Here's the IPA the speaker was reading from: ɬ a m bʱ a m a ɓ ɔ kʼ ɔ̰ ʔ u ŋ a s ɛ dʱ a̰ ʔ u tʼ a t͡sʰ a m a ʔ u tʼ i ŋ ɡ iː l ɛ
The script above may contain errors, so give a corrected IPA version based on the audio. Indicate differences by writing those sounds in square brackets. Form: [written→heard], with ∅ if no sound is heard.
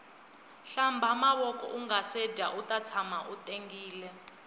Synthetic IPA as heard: ɬ a m bʱ a m a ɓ ɔ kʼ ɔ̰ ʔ u ŋ a s ɛ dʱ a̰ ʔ u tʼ a t͡sʰ a m a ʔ u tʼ [i→e] ŋ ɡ iː l ɛ